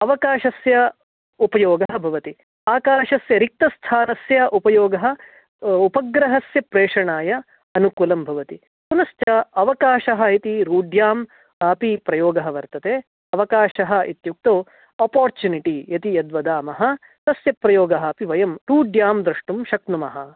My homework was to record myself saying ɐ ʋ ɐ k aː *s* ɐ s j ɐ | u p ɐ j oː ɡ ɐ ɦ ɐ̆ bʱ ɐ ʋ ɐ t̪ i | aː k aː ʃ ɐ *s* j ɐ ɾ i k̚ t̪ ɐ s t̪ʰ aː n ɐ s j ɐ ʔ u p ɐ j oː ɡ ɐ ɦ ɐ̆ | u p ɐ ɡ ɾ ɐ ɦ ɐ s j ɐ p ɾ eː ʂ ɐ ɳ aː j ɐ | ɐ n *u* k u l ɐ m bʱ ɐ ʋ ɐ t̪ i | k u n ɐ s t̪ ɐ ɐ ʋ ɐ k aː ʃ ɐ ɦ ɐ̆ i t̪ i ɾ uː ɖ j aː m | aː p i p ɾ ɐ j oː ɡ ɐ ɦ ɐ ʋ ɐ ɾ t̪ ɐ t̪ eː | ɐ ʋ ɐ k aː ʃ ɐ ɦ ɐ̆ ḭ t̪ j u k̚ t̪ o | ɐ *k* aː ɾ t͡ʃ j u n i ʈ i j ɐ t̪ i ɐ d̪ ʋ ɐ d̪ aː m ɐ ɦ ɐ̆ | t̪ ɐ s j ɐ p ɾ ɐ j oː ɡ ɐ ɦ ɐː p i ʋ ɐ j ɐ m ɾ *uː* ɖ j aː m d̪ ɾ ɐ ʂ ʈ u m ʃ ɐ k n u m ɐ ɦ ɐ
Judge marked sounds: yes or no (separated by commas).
no, yes, yes, no, yes